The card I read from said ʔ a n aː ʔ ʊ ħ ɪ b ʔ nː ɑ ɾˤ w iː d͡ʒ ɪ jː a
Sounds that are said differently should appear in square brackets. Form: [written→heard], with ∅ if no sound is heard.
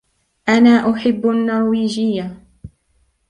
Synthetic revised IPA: ʔ a n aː ʔ ʊ ħ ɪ [b→bː] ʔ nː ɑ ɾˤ w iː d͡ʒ ɪ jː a